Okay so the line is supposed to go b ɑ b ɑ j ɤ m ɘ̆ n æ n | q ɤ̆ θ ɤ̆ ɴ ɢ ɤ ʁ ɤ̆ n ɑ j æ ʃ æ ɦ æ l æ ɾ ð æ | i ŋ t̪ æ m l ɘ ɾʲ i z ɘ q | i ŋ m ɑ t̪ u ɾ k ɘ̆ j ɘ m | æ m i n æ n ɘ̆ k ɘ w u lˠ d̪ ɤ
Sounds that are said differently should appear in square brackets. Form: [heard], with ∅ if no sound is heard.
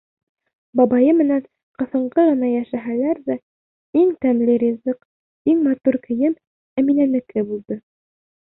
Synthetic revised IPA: b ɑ b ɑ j ɤ m ɘ̆ n æ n | q ɤ̆ θ ɤ̆ ɴ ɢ ɤ ʁ ɤ̆ n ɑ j æ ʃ æ ɦ æ l æ ɾ ð æ | i ŋ t̪ æ m l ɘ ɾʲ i z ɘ q | i ŋ m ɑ t̪ u ɾ k ɘ̆ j ɘ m | æ m i n æ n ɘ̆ k ɘ [b] u lˠ d̪ ɤ